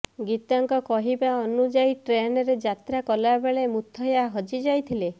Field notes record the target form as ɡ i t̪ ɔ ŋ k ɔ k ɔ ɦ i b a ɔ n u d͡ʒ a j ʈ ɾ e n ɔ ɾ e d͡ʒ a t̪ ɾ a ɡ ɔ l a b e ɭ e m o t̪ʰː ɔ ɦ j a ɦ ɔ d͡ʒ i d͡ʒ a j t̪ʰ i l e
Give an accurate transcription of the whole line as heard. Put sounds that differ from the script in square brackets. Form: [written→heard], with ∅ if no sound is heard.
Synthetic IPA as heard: ɡ i t̪ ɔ ŋ k ɔ k ɔ ɦ i b a ɔ n u d͡ʒ a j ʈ ɾ e n ɔ ɾ e d͡ʒ a t̪ ɾ a [ɡ→k] ɔ l a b e ɭ e m [o→u] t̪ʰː ɔ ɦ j a ɦ ɔ d͡ʒ i d͡ʒ a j t̪ʰ i l e

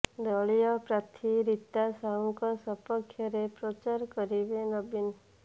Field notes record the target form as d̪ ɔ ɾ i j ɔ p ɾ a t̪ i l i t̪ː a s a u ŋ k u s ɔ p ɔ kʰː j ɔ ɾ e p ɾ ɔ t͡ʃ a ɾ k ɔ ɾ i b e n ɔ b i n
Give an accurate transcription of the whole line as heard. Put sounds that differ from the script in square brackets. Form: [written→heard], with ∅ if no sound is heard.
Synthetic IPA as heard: d̪ ɔ [ɾ→ɭ] i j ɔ p ɾ a [t̪→t̪ʰ] i [l→ɾ] i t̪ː a s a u ŋ k [u→ɔ] s ɔ p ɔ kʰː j ɔ ɾ e p ɾ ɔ t͡ʃ a ɾ k ɔ ɾ i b e n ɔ b i n

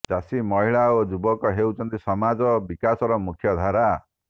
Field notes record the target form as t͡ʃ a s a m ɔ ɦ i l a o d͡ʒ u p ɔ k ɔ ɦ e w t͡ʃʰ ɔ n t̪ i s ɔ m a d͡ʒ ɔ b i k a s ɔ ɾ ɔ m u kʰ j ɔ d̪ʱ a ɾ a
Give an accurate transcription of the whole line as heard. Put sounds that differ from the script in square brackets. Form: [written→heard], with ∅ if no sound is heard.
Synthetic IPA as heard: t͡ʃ a s [a→i] m ɔ ɦ i [l→ɭ] a o d͡ʒ u [p→b] ɔ k ɔ ɦ e w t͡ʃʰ ɔ n t̪ i s ɔ m a d͡ʒ ɔ b i k a s ɔ ɾ ɔ m u kʰ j ɔ d̪ʱ a ɾ a

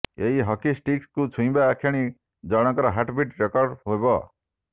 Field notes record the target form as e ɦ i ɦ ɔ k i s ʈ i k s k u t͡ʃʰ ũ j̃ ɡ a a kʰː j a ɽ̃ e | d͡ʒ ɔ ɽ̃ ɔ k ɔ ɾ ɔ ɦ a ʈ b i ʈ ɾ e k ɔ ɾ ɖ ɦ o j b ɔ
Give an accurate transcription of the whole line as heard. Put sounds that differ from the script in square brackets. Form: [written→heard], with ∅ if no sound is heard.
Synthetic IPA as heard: e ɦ i ɦ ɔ k i s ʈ i k s k u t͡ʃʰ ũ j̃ [ɡ→b] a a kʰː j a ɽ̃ [e→i] | d͡ʒ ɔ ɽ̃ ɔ k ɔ ɾ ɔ ɦ a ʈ b i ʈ ɾ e k ɔ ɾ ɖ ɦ o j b ɔ

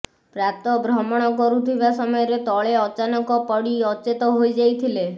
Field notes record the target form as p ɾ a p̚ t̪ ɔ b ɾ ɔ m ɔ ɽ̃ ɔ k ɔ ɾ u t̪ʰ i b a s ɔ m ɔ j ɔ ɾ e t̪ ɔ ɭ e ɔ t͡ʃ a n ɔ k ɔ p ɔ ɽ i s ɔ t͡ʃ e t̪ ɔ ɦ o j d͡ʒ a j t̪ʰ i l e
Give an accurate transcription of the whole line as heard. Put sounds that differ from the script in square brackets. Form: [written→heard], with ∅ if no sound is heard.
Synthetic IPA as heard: p ɾ a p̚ t̪ ɔ b ɾ ɔ m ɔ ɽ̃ ɔ k ɔ ɾ u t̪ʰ i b a s ɔ m ɔ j ɔ ɾ e t̪ ɔ ɭ e ɔ t͡ʃ a n ɔ k ɔ p ɔ ɽ i [s→∅] ɔ t͡ʃ e t̪ ɔ ɦ o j d͡ʒ a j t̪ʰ i l e

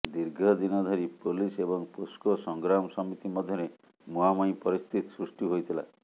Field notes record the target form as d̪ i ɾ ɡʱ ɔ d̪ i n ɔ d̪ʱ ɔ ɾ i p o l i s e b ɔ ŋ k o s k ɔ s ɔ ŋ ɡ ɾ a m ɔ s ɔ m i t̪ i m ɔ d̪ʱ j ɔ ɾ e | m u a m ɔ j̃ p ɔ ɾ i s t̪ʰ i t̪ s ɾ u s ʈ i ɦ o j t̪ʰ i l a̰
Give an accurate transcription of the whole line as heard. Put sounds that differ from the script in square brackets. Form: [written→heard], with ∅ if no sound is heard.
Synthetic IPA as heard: d̪ i ɾ ɡʱ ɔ d̪ i n ɔ d̪ʱ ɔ ɾ i p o l i s e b ɔ ŋ [k→p] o s k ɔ s ɔ ŋ ɡ ɾ a m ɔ s ɔ m i t̪ i m ɔ d̪ʱ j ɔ ɾ e | m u a m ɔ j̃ p ɔ ɾ i s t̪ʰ i t̪ s ɾ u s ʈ i ɦ o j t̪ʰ i l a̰

